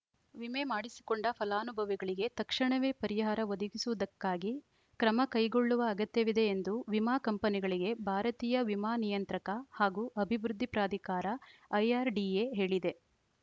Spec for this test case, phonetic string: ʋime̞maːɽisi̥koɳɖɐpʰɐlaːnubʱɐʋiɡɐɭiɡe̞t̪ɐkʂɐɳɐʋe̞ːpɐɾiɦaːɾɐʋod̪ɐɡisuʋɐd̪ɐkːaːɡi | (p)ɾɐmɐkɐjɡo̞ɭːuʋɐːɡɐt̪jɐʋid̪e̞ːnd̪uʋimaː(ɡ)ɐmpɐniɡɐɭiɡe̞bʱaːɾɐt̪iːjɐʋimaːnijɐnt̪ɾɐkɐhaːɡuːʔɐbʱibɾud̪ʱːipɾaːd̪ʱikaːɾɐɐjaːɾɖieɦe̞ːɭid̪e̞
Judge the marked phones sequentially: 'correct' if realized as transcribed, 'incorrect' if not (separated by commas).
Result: incorrect, incorrect